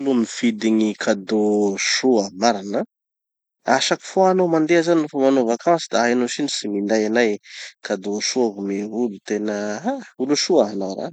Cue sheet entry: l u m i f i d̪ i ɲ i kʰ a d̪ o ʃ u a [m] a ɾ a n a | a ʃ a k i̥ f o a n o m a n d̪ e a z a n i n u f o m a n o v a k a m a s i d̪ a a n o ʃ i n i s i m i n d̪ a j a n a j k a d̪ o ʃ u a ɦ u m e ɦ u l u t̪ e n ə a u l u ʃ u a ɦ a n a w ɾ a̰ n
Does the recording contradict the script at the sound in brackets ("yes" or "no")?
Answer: no